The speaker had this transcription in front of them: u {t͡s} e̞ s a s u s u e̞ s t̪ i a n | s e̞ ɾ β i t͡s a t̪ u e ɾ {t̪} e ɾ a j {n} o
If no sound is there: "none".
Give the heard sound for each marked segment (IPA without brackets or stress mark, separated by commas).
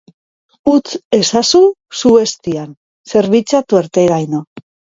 t͡s, t̪, n